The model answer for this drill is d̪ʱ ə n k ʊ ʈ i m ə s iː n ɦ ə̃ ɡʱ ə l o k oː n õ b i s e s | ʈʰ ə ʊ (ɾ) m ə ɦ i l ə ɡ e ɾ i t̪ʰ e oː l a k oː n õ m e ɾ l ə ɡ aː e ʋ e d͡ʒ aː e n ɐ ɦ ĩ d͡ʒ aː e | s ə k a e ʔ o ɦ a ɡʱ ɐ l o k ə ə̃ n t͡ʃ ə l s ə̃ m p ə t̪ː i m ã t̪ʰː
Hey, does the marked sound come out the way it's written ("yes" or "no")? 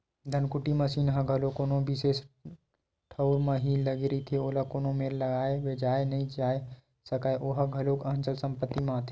yes